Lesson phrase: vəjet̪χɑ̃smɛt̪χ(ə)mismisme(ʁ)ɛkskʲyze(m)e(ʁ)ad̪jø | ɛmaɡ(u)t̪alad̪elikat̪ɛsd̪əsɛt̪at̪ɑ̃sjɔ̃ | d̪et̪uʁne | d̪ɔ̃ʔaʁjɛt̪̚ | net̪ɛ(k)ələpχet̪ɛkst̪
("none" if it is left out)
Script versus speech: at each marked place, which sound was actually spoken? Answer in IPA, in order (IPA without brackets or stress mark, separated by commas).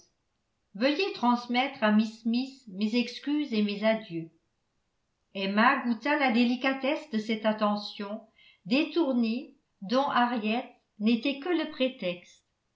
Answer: a, z, m, z, u, k